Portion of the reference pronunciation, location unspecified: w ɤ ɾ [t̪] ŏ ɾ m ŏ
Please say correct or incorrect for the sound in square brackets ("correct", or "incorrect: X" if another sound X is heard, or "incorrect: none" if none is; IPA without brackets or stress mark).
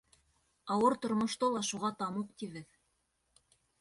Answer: correct